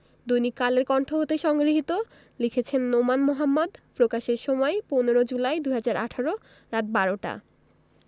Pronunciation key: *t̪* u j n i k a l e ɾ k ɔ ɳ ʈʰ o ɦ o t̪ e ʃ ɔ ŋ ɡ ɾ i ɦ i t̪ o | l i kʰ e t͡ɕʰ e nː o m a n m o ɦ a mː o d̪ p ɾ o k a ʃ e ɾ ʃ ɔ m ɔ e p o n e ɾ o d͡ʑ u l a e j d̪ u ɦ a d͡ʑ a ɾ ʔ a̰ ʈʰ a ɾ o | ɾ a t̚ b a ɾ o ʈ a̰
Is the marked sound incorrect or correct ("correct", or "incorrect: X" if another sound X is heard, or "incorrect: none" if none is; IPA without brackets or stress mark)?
incorrect: d̪